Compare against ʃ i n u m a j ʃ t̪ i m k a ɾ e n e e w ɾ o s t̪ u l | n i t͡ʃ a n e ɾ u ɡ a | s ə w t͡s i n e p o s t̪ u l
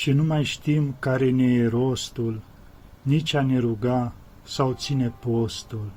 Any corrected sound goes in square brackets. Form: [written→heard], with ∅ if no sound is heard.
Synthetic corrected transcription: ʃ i n u m a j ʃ t̪ i m k a ɾ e n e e [w→∅] ɾ o s t̪ u l | n i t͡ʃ a n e ɾ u ɡ a | s [ə→a] w t͡s i n e p o s t̪ u l